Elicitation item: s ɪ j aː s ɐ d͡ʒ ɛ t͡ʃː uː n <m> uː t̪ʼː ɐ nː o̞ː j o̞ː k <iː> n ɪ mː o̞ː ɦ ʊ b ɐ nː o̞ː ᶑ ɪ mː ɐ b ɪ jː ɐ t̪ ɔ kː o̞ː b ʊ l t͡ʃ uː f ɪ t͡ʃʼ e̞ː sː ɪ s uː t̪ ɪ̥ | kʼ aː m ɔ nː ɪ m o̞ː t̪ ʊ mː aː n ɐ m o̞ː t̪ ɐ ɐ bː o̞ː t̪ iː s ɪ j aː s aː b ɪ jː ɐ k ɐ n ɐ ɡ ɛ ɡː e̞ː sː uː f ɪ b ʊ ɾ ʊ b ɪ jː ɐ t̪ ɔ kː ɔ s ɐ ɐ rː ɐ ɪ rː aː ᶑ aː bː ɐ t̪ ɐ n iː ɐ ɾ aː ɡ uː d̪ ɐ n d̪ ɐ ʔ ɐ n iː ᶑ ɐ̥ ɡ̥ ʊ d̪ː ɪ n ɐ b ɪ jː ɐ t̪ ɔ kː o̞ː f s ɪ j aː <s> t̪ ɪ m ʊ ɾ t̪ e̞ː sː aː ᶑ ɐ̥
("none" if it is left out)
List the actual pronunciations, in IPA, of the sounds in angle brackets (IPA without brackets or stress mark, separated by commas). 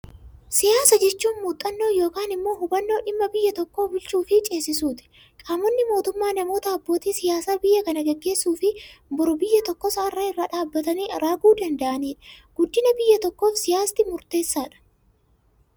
m, aː, s